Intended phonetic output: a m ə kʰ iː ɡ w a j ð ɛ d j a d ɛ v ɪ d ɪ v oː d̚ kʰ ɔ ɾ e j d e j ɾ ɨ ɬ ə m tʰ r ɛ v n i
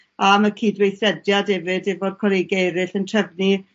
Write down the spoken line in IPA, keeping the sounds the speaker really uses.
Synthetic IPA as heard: a m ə kʰ iː d w e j θ ɛ d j a d ɛ v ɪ d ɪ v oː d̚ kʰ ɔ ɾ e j ɡ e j ɾ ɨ ɬ ə n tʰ r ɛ v n i